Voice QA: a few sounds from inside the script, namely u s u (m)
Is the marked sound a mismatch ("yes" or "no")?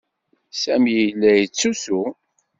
yes